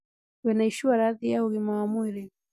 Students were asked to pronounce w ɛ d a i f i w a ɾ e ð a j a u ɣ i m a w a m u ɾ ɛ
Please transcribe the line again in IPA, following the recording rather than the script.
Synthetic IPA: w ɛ n a i ʃ i w a ɾ a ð i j a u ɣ i m a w a m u ɾ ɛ